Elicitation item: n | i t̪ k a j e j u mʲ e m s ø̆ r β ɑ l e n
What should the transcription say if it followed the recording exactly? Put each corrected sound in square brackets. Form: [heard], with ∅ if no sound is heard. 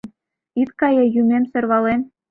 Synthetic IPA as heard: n | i t̪ k [ɑ] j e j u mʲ e m s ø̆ r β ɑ l e n